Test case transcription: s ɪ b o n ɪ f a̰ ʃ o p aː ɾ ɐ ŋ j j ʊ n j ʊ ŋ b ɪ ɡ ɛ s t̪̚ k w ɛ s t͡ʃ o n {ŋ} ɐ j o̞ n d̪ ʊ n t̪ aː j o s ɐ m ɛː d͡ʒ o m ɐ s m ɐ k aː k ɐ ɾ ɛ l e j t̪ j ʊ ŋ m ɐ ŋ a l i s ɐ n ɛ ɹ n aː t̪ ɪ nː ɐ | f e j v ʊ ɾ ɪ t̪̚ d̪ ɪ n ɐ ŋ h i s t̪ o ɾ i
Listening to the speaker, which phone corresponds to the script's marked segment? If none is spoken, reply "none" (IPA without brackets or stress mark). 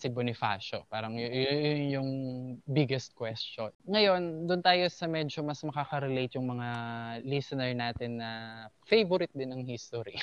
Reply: ŋ